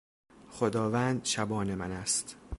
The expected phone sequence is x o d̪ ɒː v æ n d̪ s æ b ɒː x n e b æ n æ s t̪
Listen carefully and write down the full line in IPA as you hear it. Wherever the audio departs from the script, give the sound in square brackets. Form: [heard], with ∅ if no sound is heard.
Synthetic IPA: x o d̪ ɒː v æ n d̪ [ʃ] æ b ɒː [∅] n e [m] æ n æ s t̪